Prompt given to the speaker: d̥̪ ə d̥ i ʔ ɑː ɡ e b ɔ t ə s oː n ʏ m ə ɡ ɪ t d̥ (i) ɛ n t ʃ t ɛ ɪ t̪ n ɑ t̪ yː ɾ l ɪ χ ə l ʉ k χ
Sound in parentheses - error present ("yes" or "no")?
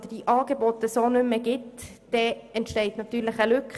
yes